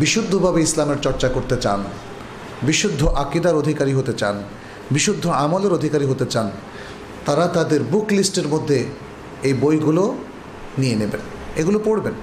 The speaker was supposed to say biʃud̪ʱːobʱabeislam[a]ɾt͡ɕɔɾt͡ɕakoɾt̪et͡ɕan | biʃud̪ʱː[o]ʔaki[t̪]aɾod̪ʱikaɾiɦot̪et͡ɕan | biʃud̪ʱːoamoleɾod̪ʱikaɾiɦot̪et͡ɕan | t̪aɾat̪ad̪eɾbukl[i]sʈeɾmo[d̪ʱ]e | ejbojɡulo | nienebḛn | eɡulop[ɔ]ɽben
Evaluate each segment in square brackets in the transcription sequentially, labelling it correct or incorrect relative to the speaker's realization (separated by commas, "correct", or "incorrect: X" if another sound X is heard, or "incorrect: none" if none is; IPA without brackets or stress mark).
incorrect: e, correct, incorrect: d̪, correct, incorrect: d̪ʱː, incorrect: o